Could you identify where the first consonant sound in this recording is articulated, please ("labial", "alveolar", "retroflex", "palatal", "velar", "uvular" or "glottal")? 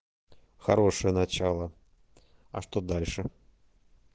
velar